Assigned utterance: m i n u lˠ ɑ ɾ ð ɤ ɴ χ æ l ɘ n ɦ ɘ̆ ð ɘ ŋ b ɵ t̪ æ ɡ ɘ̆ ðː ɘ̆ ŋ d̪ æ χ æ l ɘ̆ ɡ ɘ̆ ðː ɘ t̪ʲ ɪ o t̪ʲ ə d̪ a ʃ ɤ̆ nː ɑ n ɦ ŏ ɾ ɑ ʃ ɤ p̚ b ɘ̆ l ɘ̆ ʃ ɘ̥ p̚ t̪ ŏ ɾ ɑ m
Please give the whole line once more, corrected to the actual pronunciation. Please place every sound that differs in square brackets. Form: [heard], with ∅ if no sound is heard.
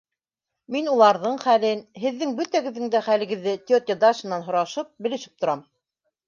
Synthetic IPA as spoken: m i n u lˠ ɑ ɾ ð ɤ ɴ χ æ l ɘ n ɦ ɘ̆ [ðː] ɘ ŋ b ɵ t̪ æ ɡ ɘ̆ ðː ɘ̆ ŋ d̪ æ χ æ l ɘ̆ ɡ ɘ̆ ðː ɘ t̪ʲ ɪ o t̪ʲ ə d̪ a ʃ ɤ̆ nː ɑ n ɦ ŏ ɾ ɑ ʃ ɤ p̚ b ɘ̆ l ɘ̆ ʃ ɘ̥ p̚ t̪ ŏ ɾ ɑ m